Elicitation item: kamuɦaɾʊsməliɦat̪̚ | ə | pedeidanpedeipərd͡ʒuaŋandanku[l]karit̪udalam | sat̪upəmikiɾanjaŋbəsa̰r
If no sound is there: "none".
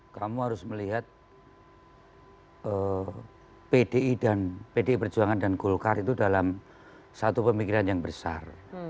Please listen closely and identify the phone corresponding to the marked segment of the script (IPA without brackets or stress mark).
l